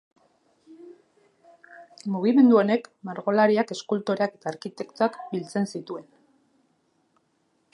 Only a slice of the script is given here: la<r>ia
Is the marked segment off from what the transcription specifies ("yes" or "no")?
yes